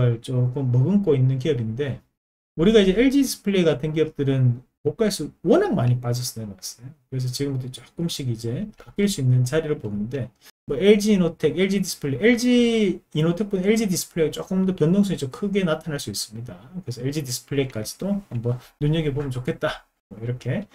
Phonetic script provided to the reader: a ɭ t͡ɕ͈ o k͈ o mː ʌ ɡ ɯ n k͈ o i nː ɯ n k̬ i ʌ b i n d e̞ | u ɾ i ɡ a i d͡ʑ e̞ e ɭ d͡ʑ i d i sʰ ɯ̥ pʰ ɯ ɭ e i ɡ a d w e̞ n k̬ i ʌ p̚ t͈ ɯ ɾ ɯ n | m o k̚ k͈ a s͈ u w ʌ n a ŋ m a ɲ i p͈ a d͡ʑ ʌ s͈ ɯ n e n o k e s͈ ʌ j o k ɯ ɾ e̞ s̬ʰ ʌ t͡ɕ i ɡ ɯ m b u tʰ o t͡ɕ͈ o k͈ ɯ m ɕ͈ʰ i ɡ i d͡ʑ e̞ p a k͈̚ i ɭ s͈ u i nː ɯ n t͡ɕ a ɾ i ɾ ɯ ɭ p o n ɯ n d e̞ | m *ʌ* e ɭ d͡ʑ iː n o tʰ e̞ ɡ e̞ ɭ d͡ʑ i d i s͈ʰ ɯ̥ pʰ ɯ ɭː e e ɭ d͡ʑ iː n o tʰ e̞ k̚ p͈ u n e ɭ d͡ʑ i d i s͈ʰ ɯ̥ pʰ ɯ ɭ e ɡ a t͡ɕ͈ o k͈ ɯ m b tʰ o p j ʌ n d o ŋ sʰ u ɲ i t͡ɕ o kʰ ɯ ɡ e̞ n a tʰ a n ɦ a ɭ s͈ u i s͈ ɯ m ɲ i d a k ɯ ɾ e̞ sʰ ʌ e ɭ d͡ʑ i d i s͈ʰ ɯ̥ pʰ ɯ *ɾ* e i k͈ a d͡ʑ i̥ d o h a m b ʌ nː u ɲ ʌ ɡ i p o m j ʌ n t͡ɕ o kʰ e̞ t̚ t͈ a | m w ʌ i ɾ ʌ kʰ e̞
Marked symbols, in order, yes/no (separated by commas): yes, no